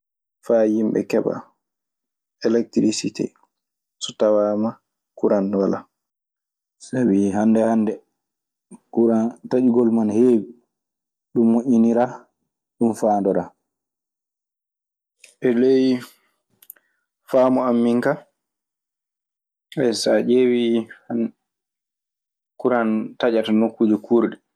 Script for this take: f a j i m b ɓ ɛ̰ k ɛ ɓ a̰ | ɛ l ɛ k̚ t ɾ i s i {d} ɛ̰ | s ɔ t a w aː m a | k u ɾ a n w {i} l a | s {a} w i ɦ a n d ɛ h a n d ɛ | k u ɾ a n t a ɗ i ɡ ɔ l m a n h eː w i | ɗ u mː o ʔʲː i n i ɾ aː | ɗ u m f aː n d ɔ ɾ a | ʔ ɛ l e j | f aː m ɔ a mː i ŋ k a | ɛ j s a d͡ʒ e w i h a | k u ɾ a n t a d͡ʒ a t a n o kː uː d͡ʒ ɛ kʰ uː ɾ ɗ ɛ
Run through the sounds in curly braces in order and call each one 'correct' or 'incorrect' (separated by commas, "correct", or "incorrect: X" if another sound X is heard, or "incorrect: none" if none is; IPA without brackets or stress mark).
incorrect: t, incorrect: a, correct